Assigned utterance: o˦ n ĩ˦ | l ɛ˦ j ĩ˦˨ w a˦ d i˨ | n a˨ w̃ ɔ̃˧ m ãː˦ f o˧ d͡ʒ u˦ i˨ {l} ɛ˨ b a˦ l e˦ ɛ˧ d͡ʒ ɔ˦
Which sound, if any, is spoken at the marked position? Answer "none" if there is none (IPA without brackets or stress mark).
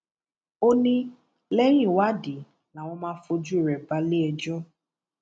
ɾ